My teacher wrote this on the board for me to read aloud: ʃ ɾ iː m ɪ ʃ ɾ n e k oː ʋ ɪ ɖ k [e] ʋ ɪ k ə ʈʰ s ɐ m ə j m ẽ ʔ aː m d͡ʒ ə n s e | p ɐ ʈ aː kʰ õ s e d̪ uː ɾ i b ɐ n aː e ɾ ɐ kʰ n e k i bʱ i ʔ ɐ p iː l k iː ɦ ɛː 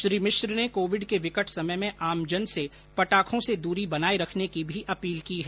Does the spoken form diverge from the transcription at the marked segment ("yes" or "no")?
no